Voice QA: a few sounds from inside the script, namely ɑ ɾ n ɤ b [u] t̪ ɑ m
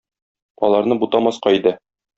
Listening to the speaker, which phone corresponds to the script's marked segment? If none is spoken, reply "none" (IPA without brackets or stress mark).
u